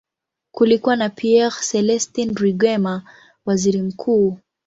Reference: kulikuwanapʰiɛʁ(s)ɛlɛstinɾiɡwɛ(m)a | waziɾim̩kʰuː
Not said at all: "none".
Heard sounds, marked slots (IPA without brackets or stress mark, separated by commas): s, m